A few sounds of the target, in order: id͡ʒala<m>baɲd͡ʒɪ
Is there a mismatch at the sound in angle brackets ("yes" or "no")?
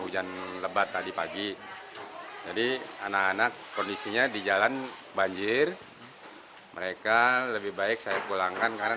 yes